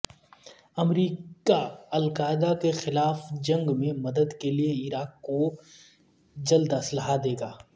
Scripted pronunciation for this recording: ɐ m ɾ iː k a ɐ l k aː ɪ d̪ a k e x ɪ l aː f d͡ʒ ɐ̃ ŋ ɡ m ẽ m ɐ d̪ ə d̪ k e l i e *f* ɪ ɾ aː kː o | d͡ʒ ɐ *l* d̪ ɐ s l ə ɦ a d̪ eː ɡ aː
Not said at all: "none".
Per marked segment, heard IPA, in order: none, l

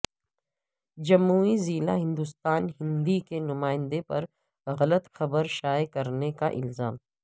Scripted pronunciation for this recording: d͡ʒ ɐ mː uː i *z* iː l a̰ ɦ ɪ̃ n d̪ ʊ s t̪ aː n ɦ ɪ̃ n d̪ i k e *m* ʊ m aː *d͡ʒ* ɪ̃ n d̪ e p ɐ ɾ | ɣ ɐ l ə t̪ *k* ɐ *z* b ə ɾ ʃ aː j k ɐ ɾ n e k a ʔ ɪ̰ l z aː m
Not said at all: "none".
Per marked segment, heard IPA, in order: z, n, none, x, none

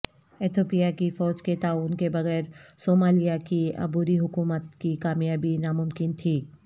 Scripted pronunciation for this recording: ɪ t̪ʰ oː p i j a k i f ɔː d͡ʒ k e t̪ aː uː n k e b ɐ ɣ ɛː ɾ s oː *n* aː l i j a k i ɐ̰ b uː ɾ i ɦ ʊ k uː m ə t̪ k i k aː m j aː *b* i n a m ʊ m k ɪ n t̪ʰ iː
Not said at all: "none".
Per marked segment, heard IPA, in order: m, b

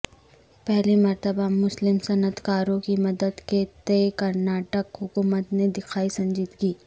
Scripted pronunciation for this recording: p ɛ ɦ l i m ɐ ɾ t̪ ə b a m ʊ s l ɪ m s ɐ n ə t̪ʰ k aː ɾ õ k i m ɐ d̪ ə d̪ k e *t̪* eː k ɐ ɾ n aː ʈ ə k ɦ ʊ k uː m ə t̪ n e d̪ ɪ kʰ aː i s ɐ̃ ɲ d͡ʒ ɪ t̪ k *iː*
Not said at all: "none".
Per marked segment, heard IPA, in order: t̪, iː

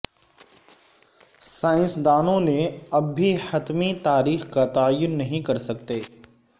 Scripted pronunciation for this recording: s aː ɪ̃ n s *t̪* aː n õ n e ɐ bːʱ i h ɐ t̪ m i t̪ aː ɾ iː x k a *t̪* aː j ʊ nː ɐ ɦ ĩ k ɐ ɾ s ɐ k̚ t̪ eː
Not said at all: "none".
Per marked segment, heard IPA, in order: d̪, t̪

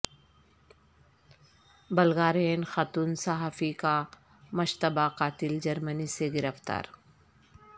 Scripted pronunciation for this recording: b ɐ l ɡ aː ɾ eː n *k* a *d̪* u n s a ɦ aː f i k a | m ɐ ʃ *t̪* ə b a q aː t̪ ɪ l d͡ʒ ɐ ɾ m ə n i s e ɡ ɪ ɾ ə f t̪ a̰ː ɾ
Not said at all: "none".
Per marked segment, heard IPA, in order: x, t̪, t̪

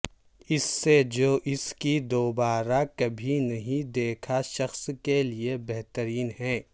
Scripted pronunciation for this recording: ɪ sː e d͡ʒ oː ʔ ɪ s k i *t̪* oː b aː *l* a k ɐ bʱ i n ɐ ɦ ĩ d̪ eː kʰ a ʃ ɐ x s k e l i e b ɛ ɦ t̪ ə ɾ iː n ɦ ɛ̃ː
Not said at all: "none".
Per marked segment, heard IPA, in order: d̪, ɾ

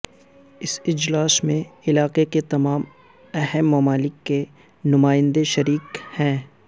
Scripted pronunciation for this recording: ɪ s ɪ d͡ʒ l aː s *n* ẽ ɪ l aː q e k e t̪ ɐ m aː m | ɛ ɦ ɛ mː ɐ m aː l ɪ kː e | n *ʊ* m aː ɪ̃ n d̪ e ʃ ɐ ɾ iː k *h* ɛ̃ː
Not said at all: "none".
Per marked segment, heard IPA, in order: m, ʊ, h

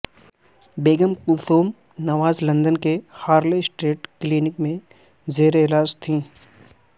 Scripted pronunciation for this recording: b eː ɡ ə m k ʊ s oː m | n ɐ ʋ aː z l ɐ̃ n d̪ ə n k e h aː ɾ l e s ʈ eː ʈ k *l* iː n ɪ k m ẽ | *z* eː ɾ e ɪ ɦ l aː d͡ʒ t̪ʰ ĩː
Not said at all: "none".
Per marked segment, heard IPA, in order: l, z

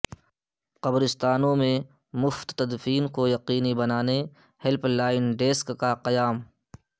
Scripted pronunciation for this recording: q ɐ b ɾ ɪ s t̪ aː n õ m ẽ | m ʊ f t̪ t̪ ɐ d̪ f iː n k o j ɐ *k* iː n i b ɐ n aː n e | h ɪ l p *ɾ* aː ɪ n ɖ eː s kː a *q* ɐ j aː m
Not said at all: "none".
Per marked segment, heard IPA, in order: q, l, q

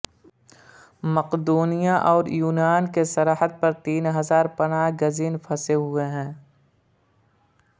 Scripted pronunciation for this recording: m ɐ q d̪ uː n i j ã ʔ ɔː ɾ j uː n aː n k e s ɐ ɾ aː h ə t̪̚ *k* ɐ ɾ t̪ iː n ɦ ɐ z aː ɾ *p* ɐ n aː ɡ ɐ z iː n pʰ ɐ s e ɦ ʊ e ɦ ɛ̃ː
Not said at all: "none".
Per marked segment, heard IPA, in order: p, p

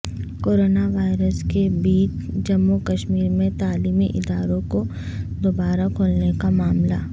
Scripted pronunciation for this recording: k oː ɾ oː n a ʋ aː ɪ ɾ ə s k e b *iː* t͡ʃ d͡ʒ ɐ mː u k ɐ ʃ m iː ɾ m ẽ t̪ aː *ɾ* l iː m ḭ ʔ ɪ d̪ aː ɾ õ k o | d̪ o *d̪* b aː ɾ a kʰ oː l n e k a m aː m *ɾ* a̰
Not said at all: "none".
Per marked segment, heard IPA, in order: iː, none, none, l

